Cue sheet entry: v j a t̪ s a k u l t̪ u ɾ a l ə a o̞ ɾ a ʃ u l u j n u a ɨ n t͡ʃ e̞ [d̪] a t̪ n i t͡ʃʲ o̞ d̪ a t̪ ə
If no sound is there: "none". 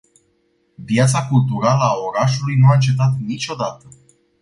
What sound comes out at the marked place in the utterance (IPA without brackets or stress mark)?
t̪